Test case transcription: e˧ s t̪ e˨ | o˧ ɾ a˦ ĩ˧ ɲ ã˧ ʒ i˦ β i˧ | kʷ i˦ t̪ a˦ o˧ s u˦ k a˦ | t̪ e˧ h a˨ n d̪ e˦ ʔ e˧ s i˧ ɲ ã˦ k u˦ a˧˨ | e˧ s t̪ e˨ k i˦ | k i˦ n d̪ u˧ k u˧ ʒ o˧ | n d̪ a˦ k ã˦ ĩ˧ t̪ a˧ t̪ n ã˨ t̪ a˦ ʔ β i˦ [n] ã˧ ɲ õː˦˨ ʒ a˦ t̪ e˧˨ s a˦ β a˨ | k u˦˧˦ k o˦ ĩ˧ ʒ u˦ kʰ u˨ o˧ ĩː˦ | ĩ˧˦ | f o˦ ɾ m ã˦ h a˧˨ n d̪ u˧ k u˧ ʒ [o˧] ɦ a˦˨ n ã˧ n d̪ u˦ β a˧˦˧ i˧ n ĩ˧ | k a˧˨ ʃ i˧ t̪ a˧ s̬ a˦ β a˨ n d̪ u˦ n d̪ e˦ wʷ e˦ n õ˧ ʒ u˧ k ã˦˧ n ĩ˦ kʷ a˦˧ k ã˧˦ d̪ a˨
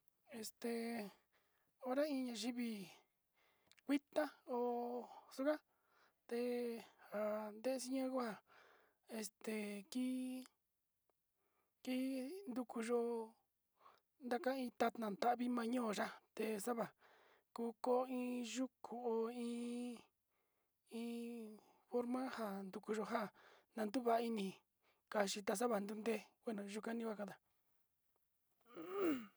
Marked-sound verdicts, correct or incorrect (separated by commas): incorrect, correct